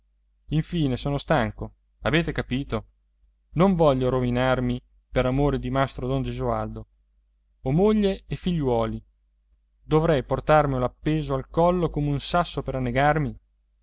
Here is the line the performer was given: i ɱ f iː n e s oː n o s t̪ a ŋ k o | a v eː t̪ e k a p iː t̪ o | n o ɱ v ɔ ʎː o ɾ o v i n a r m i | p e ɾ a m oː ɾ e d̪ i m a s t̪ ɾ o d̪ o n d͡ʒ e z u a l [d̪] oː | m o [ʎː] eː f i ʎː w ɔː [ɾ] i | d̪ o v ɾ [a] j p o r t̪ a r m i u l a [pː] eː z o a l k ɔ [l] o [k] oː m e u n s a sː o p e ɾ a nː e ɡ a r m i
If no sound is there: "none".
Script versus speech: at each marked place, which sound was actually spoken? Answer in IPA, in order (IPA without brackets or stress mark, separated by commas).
d̪, ʎː, l, ɛ, pː, lː, k